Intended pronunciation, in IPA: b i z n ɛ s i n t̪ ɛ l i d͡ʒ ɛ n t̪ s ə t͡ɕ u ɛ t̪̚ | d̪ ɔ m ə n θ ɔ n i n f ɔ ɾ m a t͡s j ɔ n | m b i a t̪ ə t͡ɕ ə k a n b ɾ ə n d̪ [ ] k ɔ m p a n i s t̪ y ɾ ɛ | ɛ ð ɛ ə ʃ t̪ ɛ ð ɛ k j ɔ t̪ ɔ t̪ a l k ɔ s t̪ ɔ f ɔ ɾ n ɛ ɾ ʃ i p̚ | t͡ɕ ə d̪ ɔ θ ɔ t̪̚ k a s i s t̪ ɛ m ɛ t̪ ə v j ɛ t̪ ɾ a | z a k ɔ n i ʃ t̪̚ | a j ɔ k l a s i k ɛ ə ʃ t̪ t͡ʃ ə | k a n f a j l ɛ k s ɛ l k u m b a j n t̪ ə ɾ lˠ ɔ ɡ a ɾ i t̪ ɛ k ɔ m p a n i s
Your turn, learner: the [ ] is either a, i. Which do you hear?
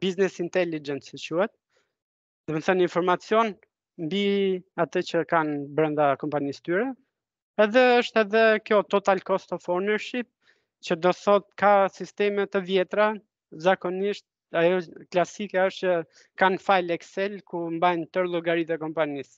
a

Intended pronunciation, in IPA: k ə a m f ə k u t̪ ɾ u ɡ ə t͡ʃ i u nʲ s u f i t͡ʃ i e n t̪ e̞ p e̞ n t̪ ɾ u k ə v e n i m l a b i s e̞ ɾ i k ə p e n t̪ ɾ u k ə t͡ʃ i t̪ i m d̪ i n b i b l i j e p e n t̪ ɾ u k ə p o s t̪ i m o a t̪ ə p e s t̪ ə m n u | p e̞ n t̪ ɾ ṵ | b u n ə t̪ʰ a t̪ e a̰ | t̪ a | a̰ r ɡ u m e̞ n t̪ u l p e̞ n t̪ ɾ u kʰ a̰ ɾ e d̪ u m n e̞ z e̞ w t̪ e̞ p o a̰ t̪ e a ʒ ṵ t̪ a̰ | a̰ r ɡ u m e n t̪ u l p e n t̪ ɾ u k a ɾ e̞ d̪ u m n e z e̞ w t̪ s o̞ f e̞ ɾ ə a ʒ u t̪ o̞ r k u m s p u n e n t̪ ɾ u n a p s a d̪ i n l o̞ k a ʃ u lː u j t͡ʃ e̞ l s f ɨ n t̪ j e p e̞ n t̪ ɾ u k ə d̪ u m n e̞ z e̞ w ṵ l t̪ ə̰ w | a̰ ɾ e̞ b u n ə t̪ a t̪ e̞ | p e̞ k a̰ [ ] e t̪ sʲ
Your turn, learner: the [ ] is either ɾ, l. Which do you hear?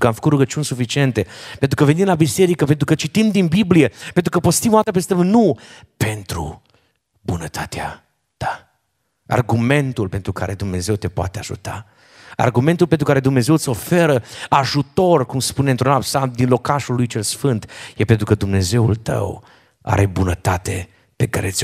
ɾ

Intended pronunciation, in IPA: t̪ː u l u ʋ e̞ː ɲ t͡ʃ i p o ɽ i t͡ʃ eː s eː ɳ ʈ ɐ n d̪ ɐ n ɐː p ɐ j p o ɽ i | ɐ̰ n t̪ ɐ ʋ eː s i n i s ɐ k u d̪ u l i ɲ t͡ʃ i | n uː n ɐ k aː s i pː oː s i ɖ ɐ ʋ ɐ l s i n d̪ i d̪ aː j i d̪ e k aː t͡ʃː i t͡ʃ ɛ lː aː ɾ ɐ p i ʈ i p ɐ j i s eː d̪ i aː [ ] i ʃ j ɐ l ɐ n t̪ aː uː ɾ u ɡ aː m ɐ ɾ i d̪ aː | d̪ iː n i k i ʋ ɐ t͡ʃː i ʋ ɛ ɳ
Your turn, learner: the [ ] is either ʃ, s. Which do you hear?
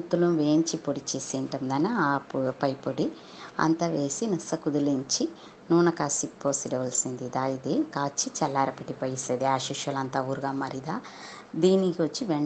ʃ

